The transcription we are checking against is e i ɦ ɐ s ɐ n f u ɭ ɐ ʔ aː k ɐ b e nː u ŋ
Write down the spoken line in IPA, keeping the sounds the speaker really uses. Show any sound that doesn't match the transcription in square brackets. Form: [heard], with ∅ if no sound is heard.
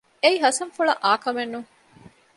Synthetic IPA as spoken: e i ɦ ɐ s ɐ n f u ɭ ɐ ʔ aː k ɐ [m] e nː u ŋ